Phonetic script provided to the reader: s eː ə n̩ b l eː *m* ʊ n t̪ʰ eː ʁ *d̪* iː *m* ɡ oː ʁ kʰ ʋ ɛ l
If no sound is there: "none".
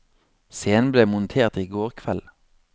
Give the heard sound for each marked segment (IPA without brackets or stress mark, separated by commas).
m, t̪, none